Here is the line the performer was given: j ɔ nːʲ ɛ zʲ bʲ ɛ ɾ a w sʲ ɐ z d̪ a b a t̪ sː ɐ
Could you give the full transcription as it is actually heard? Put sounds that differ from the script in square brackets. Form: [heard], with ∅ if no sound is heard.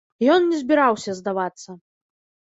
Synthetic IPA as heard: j ɔ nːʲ ɛ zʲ bʲ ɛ ɾ a w sʲ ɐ z d̪ a [v] a t̪ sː ɐ